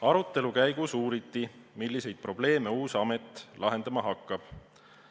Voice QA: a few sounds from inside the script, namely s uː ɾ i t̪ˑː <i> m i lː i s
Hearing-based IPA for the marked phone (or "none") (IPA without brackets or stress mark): i